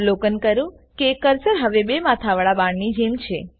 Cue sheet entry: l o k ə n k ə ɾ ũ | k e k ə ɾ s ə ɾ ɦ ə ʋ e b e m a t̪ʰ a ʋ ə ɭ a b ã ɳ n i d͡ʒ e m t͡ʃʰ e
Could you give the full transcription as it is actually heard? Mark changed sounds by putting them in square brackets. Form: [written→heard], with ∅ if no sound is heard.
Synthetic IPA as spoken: l o k ə n k ə ɾ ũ | k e k ə ɾ s ə ɾ ɦ ə ʋ e b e m a t̪ʰ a ʋ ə ɭ a b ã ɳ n i d͡ʒ e m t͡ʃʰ e